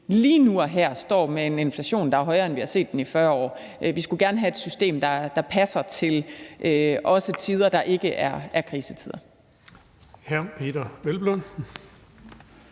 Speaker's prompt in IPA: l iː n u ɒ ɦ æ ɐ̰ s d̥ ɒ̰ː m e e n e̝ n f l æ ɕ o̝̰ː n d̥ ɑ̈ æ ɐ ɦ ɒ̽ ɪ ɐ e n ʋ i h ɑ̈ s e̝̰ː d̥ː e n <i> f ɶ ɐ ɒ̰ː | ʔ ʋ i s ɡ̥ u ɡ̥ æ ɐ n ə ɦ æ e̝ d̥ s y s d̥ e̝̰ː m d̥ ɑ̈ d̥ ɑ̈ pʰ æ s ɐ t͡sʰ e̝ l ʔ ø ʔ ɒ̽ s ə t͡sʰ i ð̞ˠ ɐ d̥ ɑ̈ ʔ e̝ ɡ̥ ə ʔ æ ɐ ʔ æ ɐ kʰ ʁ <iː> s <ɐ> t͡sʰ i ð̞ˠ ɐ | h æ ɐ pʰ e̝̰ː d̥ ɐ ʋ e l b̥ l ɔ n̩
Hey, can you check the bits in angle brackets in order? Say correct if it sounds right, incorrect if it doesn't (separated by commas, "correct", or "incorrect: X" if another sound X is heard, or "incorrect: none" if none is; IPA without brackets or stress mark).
correct, correct, incorrect: ə